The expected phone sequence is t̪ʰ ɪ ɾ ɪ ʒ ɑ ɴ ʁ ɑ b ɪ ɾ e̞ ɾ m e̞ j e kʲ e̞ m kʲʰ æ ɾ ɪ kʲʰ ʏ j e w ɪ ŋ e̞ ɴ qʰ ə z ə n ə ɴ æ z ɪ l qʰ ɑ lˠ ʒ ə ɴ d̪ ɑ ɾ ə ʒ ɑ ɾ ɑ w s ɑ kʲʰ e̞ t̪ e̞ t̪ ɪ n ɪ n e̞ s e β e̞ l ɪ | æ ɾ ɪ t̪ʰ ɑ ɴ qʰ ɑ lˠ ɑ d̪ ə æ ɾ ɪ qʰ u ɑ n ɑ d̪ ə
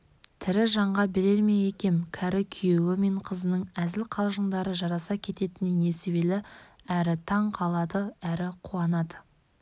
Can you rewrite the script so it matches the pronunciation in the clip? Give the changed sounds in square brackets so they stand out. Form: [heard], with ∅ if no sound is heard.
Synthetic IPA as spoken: t̪ʰ ɪ ɾ ɪ ʒ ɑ ɴ ʁ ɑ b ɪ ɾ e̞ ɾ m e̞ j e kʲ e̞ m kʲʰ æ ɾ ɪ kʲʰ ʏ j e w ɪ [m] e̞ ɴ qʰ ə z ə n ə ɴ æ z ɪ l qʰ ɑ lˠ ʒ ə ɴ d̪ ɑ ɾ ə ʒ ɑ ɾ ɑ [∅] s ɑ kʲʰ e̞ t̪ e̞ t̪ ɪ n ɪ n e̞ s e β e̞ l ɪ | æ ɾ ɪ t̪ʰ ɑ ɴ qʰ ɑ lˠ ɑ d̪ ə æ ɾ ɪ qʰ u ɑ n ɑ d̪ ə